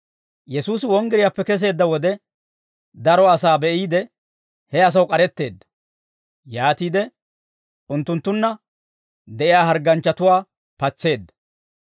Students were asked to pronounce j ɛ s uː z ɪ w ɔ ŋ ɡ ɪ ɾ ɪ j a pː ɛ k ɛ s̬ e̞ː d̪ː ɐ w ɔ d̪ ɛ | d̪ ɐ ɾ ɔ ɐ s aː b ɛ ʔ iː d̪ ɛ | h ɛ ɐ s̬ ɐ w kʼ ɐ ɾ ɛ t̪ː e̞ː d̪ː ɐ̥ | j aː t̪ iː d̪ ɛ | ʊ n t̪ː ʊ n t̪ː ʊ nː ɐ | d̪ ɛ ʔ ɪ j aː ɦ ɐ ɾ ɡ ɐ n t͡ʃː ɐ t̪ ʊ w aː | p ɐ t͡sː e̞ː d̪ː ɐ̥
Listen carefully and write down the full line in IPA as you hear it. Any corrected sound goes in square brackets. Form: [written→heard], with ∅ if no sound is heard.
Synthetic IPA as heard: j ɛ s uː [z→s] ɪ w ɔ ŋ ɡ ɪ ɾ ɪ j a pː ɛ k ɛ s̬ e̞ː d̪ː ɐ w ɔ d̪ ɛ | d̪ ɐ ɾ ɔ ɐ s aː b ɛ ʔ iː d̪ ɛ | h ɛ ɐ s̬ ɐ w kʼ ɐ ɾ ɛ t̪ː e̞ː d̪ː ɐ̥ | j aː t̪ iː d̪ ɛ | ʊ n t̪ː ʊ n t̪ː ʊ nː ɐ | d̪ ɛ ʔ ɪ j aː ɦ ɐ ɾ ɡ ɐ n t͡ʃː ɐ t̪ ʊ w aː | p ɐ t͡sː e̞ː d̪ː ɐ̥